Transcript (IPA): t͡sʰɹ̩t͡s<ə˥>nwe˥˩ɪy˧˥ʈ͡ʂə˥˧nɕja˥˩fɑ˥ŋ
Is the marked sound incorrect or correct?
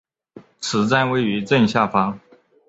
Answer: incorrect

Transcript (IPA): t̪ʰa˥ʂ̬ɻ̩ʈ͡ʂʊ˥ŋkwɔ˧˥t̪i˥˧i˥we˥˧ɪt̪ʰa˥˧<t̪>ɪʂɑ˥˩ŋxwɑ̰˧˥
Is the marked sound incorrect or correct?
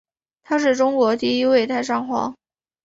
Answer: incorrect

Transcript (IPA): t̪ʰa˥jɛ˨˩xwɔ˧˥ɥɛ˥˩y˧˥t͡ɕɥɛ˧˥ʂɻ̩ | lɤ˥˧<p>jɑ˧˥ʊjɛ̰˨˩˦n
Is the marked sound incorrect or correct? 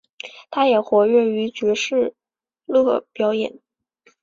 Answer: correct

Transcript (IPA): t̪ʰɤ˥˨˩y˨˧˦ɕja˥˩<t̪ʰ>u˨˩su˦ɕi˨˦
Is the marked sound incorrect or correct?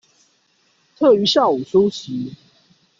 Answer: incorrect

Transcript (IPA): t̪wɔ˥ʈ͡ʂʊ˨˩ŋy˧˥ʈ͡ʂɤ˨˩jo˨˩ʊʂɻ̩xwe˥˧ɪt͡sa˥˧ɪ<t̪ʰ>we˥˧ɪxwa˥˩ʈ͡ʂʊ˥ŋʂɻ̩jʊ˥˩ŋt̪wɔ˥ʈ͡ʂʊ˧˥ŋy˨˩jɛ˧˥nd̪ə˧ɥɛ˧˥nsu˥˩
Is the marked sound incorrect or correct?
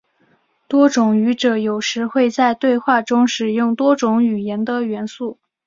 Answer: incorrect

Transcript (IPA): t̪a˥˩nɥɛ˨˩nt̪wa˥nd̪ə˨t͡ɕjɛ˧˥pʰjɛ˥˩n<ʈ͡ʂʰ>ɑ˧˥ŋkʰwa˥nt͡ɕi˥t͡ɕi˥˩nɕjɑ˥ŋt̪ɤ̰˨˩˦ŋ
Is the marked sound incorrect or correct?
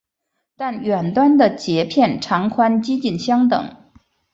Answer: correct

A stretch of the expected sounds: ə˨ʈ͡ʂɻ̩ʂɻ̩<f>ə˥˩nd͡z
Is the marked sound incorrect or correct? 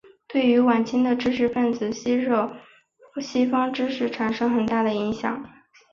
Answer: correct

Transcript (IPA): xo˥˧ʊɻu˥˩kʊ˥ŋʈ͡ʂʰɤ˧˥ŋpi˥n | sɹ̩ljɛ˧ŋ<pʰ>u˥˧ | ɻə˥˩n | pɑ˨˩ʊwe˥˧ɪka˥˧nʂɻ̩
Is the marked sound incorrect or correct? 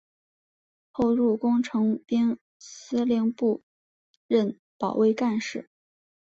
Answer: incorrect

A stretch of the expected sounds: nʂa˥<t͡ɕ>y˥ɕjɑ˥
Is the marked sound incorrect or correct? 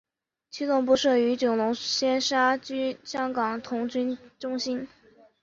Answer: correct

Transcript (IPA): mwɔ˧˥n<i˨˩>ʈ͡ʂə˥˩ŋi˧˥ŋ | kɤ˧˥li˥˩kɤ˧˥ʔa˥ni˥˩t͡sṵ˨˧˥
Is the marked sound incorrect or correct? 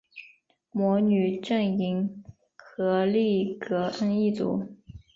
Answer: incorrect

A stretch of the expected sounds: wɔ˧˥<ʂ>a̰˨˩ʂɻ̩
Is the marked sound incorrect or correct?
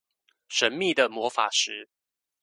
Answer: incorrect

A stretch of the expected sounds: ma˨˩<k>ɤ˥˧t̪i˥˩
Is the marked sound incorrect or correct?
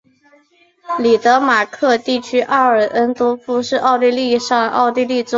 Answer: incorrect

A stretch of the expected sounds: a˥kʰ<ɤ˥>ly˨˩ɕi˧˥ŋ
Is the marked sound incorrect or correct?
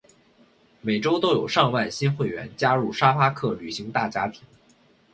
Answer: incorrect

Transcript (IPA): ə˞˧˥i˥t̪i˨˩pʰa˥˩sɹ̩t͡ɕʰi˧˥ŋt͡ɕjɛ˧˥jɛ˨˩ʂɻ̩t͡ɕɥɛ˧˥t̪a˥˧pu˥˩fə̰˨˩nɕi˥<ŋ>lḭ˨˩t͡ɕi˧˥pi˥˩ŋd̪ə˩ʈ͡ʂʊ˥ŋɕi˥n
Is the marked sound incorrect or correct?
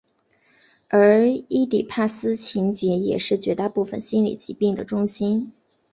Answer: incorrect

